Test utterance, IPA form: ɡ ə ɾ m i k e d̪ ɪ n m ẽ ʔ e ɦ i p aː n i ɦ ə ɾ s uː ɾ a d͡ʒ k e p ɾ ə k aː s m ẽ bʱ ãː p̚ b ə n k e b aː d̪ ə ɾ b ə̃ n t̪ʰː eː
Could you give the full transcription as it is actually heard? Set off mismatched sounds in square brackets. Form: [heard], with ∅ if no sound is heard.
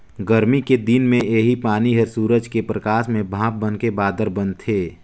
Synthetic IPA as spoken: ɡ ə ɾ m i k e d̪ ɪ n m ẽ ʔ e ɦ i p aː n i ɦ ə ɾ s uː ɾ [ə] d͡ʒ k e p ɾ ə k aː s m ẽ bʱ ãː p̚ b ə n k e b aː d̪ ə ɾ b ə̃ n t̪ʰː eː